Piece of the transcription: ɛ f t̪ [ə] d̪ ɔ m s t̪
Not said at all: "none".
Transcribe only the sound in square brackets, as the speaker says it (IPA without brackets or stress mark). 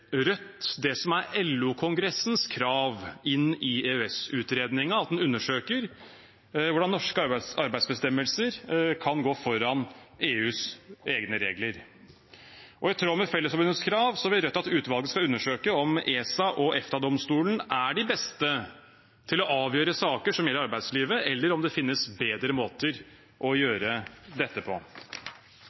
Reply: ɑ